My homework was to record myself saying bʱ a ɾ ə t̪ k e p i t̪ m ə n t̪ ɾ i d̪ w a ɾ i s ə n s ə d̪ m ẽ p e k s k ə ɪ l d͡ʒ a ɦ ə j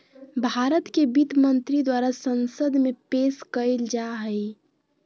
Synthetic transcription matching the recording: bʱ a ɾ ə t̪ k e b i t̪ m ə n t̪ ɾ i d̪ w a ɾ a s ə n s ə d̪ m e p e s k ə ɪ l d͡ʒ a ɦ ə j